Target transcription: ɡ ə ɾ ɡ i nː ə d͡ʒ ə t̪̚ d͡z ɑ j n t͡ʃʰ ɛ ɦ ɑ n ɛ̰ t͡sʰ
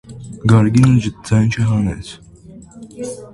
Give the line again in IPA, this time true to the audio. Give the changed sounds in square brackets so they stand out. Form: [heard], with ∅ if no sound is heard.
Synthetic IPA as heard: ɡ [ɑ] ɾ ɡ i [n] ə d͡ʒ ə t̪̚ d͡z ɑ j n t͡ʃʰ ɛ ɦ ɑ n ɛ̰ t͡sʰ